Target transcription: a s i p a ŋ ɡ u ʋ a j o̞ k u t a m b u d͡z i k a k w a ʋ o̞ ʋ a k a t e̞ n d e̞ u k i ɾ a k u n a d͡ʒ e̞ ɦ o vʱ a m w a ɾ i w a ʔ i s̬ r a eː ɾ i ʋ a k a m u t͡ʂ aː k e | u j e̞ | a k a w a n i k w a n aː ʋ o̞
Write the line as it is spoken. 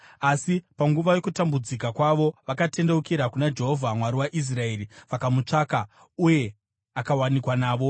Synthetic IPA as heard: a s i p a ŋ ɡ u ʋ a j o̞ k u t a m b u d͡z i k a k w a ʋ o̞ ʋ a k a t e̞ n d e̞ u k i ɾ a k u n a d͡ʒ e̞ ɦ o vʱ a m w a ɾ i w a ʔ i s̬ r a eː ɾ i ʋ a k a m u t͡ʂ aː k a | u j e̞ | a k a w a n i k w a n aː ʋ o̞